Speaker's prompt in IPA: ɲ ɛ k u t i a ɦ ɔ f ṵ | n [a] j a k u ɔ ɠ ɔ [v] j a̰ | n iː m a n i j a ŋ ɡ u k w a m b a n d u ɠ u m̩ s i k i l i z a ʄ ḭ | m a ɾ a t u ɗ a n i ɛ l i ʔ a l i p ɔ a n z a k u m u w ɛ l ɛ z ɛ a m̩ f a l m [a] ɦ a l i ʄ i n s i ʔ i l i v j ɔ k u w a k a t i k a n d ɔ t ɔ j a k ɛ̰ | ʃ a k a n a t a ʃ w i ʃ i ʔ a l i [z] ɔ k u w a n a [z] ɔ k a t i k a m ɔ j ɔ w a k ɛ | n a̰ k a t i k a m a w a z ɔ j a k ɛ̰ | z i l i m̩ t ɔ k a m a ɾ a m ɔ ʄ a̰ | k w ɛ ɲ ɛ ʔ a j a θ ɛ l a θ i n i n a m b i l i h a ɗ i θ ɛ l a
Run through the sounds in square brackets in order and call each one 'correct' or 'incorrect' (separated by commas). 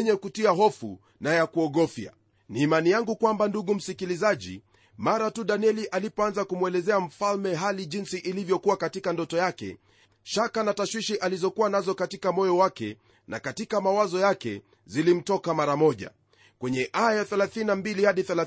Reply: correct, incorrect, incorrect, correct, correct